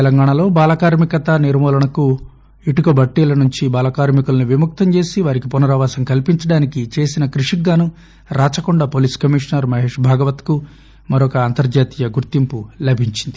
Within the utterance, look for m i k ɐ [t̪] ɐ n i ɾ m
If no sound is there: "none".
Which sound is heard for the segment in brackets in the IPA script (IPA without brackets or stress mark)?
t̪